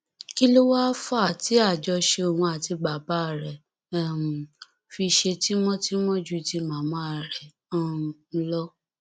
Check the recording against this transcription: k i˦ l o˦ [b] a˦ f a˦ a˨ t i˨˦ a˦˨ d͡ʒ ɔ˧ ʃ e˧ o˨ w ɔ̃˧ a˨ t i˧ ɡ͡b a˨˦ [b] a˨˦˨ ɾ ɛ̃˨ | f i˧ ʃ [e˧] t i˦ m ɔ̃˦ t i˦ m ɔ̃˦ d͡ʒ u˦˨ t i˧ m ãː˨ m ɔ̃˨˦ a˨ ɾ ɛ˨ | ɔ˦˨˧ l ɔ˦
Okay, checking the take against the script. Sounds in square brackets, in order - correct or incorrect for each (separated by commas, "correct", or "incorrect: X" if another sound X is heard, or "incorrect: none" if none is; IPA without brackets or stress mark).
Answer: incorrect: w, correct, correct